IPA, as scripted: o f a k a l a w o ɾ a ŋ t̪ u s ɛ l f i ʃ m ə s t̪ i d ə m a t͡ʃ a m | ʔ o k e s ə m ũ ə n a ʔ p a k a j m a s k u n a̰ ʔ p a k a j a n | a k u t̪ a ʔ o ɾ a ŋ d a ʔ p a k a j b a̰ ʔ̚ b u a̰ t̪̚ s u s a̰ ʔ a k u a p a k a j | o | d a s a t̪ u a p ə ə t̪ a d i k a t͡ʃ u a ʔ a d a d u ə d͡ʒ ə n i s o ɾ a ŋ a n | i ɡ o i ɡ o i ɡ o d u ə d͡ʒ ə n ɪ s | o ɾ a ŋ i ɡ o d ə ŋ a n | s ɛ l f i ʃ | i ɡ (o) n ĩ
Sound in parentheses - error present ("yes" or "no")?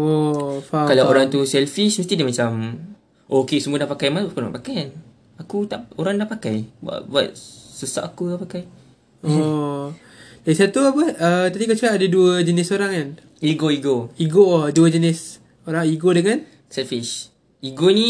no